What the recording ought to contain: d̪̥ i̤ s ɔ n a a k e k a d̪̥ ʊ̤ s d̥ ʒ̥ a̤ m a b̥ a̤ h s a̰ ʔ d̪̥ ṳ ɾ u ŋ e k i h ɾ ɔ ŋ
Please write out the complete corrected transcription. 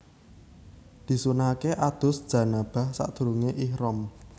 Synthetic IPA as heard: d̪̥ i̤ s u n a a k e ʔ a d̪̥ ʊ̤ s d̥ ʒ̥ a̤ n a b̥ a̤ h s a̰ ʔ d̪̥ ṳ ɾ u ŋ e ʔ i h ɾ ɔ m